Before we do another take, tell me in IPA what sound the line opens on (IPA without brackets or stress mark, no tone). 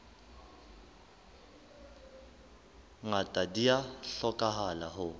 ŋ